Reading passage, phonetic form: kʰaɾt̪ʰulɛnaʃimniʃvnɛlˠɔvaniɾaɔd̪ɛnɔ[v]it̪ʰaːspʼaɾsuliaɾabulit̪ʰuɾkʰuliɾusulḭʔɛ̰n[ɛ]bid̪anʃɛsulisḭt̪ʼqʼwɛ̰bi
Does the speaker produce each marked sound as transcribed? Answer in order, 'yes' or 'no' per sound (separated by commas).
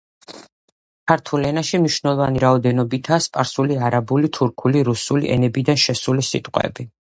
no, yes